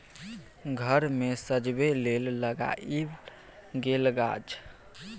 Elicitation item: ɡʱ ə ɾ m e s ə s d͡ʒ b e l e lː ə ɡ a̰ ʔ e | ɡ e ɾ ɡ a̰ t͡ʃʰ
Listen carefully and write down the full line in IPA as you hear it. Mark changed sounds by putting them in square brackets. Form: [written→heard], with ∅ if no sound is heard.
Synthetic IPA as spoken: ɡʱ ə ɾ m e s ə [s→∅] d͡ʒ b e l e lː ə ɡ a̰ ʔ [e→i] | ɡ e [ɾ→l] ɡ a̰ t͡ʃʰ